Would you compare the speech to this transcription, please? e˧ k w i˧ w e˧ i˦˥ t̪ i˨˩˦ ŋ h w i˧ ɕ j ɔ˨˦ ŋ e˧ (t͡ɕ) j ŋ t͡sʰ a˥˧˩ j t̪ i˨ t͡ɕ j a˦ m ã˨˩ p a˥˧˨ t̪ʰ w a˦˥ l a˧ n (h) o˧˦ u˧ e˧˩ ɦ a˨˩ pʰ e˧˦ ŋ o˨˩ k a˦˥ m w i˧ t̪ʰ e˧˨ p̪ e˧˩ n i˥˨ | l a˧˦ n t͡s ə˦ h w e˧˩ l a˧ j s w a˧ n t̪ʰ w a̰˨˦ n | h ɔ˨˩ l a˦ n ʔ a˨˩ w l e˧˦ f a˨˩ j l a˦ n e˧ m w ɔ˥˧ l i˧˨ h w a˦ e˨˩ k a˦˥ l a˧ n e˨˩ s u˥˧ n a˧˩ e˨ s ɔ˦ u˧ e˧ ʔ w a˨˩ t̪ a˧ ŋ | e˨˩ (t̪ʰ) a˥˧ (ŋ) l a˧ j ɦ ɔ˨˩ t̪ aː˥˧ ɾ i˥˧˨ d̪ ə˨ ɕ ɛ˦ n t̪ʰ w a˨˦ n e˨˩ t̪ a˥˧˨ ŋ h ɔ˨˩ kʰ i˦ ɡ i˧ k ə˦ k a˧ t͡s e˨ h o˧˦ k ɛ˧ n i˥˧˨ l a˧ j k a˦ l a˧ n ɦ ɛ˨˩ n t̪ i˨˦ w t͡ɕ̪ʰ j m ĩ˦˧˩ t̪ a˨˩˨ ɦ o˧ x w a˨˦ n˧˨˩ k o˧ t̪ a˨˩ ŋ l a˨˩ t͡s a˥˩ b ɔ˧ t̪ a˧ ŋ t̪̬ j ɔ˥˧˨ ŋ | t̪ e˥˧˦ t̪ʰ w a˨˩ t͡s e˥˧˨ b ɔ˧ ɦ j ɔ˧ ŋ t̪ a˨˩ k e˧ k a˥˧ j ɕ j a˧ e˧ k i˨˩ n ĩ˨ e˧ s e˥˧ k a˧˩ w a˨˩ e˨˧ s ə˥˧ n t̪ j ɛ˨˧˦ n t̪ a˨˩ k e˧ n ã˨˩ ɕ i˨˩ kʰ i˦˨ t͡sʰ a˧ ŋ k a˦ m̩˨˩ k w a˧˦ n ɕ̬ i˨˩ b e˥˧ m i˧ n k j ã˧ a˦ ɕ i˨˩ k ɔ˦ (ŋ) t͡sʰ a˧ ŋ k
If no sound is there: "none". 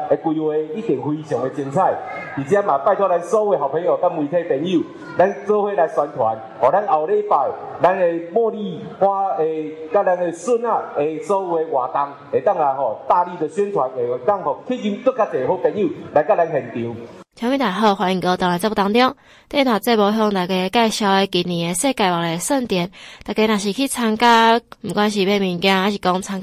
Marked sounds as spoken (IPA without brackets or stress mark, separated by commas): t͡ɕ, s, t̪, ŋ, ŋ